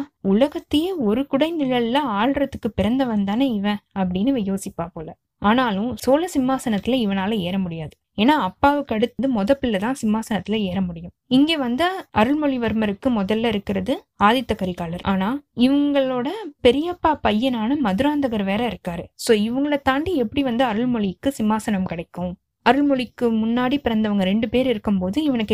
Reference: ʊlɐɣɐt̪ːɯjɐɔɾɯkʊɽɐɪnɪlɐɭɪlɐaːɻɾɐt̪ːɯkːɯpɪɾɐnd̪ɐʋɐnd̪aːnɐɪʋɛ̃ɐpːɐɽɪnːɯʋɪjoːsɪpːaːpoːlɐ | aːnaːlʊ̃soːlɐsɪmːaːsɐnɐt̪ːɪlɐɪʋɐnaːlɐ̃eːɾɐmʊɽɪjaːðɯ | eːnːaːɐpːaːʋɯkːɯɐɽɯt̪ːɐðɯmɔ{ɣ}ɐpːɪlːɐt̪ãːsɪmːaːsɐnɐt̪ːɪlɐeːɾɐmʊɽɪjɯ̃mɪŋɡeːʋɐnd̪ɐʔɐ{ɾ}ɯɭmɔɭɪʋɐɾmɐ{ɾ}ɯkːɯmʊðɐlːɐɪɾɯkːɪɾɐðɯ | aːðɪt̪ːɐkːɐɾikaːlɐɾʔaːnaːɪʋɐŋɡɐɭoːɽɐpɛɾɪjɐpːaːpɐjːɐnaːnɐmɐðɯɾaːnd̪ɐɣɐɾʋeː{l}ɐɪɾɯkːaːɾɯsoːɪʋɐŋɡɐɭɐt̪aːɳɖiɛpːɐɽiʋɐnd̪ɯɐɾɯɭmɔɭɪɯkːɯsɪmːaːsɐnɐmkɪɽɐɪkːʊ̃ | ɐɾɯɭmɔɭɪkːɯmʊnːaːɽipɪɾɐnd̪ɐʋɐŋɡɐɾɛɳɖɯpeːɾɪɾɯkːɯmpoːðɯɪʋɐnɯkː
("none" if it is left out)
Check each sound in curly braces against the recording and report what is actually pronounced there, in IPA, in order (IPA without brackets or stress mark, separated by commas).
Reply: ð, ɾ, ɾ, ɾ